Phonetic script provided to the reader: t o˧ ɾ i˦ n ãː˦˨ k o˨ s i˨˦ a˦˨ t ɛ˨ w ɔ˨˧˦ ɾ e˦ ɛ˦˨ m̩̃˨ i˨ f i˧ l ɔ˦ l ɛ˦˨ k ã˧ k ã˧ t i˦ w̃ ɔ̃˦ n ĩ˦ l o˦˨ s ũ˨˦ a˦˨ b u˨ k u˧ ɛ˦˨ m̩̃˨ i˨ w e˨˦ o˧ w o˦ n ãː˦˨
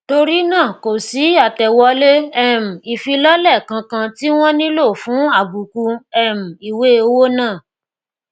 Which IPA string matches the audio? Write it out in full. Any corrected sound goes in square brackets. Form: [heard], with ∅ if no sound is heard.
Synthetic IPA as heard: t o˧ ɾ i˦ n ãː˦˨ k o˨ s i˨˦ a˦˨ t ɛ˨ w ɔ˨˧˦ [l] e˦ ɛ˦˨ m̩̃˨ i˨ f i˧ l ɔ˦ l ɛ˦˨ k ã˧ k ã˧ t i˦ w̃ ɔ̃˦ n ĩ˦ l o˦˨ [f] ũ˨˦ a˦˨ b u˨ k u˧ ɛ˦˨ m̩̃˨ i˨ w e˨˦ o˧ w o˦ n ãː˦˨